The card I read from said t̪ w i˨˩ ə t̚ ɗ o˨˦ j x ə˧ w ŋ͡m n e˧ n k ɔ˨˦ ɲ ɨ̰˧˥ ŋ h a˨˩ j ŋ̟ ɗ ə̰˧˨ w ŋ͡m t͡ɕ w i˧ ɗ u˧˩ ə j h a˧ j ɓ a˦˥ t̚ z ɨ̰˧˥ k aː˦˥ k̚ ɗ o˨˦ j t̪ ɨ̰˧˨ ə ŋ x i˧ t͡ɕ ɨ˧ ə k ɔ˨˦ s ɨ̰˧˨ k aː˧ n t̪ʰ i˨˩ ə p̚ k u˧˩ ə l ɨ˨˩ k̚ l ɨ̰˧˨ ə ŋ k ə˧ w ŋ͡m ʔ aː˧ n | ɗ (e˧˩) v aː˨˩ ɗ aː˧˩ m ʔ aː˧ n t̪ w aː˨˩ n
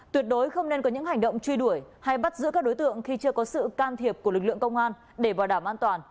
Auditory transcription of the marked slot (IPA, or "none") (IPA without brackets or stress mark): e˧˩